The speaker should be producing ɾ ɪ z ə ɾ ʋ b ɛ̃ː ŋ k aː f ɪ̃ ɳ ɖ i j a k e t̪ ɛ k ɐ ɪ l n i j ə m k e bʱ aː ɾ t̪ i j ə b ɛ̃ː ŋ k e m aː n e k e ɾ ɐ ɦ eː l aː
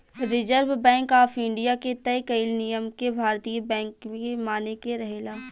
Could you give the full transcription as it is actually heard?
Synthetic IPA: ɾ ɪ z ə ɾ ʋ b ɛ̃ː ŋ k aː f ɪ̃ ɳ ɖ i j a k e t̪ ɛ k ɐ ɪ l n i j ə m k e bʱ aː ɾ t̪ i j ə b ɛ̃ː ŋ k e m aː n e k e ɾ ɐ ɦ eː l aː